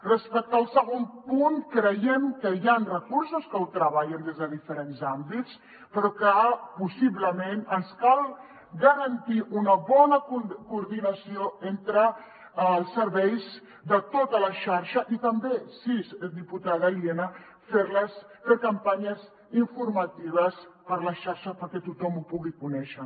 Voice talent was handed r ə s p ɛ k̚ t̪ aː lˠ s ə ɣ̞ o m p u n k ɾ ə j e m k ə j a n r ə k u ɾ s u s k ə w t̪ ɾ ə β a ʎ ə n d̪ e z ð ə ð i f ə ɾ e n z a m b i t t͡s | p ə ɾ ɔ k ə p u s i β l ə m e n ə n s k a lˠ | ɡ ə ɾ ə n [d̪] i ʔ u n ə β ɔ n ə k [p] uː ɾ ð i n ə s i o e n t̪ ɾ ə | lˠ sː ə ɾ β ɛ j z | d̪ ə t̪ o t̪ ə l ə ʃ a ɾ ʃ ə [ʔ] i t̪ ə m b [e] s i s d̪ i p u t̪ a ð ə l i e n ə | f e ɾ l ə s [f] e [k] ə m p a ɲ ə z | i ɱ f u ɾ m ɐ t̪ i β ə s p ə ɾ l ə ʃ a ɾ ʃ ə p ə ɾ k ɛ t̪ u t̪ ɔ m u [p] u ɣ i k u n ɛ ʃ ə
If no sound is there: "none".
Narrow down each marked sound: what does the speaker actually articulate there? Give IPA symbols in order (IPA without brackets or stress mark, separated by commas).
t̪, k, ʔ, e, f, k, p